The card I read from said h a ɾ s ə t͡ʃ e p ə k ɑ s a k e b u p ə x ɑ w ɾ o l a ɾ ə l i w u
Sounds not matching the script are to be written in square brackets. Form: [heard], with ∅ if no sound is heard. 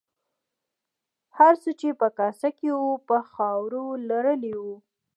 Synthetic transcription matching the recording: h a ɾ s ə t͡ʃ e p ə k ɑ s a k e [w] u p ə x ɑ w ɾ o l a ɾ ə l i w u